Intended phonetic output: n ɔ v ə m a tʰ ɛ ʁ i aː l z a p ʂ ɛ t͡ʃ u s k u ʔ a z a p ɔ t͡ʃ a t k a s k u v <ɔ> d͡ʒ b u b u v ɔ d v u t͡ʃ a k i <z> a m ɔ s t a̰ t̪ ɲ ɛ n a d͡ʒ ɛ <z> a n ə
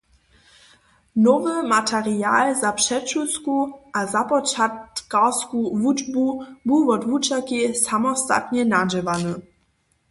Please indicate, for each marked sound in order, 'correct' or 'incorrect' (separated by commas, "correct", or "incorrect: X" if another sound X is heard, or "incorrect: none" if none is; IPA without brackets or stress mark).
incorrect: u, incorrect: s, incorrect: v